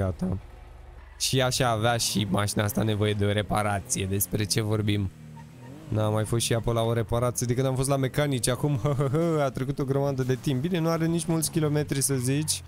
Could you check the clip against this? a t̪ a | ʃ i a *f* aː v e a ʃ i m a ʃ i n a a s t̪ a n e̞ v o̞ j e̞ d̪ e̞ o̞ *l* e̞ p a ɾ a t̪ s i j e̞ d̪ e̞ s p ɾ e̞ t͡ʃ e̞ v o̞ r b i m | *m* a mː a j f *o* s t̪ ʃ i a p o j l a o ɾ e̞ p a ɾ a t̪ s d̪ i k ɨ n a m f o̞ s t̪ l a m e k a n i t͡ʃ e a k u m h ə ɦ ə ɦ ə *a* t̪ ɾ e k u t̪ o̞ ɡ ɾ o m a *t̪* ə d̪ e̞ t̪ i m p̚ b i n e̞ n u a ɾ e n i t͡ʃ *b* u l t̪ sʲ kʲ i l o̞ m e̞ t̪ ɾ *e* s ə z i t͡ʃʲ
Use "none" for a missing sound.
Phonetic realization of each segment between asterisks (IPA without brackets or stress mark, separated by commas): ʃ, ɾ, n, o, a, d̪, m, i